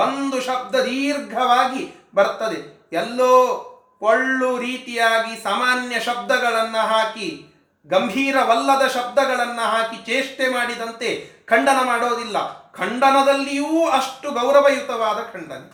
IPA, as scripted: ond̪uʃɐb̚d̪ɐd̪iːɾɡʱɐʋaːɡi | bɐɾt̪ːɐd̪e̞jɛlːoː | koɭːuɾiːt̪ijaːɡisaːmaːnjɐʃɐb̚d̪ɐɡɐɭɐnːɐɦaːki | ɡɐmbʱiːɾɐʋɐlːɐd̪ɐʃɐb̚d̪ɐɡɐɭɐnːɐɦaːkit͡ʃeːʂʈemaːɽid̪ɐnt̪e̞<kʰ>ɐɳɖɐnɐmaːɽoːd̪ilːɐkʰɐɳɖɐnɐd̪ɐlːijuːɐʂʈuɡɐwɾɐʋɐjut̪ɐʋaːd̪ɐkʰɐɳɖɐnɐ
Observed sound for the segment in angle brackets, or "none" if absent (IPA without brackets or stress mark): kʰ